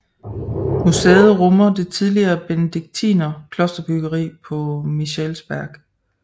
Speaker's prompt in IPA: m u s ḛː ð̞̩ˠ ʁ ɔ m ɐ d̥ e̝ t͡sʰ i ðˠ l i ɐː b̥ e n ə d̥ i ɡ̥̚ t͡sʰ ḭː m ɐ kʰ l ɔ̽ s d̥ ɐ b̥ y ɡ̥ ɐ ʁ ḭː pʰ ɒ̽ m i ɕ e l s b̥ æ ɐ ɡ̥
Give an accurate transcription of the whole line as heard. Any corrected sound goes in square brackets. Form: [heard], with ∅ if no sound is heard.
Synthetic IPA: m u s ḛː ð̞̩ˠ ʁ ɔ m ɐ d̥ e̝ t͡sʰ i ðˠ l i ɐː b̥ e n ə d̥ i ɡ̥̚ t͡sʰ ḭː [n] ɐ kʰ l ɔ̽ s d̥ ɐ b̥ y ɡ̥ ɐ ʁ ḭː pʰ ɒ̽ m i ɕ e l s b̥ æ ɐ ɡ̥